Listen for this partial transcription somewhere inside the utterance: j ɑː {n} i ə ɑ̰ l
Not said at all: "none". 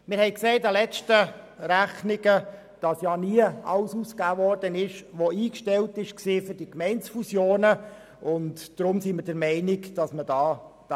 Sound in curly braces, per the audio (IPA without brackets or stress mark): n